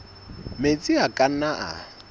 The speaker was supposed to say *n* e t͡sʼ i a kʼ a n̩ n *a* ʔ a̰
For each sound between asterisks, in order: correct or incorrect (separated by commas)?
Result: incorrect, correct